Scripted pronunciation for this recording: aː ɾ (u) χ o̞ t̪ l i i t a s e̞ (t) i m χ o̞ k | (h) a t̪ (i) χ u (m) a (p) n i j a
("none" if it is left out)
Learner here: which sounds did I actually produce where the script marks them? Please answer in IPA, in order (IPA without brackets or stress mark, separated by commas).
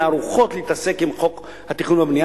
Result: u, k, h, i, n, b